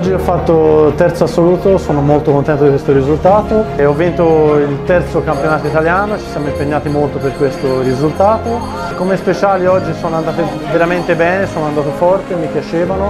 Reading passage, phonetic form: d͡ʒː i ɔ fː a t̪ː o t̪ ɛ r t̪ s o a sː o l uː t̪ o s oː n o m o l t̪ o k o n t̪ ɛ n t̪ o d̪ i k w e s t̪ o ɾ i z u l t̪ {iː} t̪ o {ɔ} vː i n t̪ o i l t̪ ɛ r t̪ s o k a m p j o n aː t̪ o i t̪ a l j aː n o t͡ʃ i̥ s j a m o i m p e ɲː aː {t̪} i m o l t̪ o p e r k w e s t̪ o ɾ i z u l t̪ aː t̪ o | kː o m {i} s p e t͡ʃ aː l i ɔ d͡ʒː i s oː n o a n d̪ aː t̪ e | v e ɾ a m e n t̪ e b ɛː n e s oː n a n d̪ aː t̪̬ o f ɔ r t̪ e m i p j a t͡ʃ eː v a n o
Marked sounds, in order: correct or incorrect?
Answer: incorrect, correct, correct, incorrect

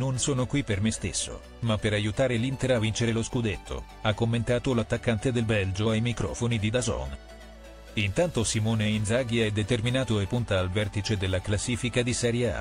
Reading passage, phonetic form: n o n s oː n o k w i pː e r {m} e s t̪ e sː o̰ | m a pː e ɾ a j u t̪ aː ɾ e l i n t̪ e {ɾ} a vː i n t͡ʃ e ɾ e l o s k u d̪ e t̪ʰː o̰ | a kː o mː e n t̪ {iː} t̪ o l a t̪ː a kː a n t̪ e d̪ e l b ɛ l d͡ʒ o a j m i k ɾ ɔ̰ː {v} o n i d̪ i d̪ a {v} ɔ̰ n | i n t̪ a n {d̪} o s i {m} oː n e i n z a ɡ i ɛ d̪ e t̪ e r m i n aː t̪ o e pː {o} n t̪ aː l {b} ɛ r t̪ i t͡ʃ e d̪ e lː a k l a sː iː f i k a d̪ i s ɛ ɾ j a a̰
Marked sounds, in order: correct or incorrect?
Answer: correct, correct, incorrect, incorrect, incorrect, incorrect, correct, incorrect, incorrect

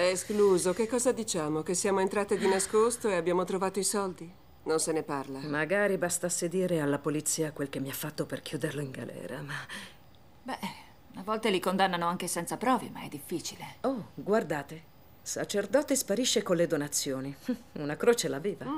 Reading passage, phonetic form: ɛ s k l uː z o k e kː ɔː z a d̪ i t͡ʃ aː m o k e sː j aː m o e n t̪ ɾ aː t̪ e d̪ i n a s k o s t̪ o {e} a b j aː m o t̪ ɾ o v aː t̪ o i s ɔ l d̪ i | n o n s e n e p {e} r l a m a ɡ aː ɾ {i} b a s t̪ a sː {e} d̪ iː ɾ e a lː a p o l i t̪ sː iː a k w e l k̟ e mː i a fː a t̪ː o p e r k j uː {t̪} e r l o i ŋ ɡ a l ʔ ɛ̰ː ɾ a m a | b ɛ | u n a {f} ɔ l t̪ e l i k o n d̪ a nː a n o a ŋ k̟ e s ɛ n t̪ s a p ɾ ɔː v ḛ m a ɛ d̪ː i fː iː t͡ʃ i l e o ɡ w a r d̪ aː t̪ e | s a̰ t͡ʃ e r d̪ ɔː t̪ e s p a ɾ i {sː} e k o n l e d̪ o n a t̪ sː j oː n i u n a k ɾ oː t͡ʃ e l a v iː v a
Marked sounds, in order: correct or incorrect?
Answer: correct, incorrect, correct, correct, incorrect, incorrect, incorrect

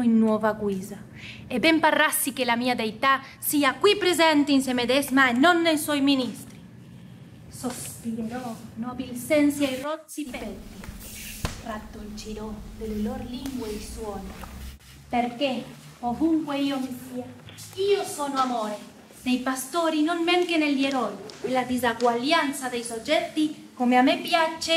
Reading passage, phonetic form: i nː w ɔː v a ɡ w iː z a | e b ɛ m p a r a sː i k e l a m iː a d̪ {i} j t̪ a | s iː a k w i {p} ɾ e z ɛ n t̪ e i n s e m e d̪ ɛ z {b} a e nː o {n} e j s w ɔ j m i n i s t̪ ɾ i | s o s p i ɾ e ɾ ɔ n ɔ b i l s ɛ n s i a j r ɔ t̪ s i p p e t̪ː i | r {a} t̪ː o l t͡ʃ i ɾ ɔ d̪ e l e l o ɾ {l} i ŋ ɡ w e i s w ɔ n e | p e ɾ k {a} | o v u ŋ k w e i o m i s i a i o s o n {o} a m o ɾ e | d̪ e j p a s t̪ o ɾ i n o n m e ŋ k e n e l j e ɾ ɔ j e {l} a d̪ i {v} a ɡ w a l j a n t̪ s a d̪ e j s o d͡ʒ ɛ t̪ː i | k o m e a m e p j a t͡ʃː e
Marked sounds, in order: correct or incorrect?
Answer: incorrect, correct, incorrect, incorrect, correct, correct, incorrect, correct, correct, incorrect

